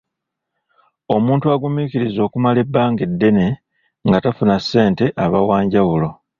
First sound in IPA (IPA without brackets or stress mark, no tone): o̞